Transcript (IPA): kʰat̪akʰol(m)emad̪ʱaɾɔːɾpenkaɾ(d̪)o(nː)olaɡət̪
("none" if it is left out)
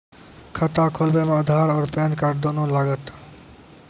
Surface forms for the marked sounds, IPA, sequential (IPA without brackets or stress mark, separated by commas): b, d̪, n